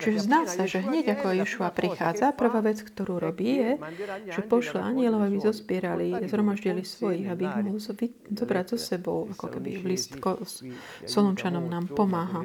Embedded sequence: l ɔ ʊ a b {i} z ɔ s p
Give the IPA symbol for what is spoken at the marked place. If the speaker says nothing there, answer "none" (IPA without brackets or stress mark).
i